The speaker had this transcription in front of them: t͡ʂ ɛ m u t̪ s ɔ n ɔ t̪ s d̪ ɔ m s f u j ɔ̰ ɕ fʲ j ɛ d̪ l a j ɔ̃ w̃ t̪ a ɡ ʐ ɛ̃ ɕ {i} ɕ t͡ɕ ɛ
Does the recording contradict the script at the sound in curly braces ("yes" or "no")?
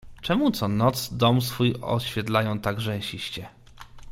no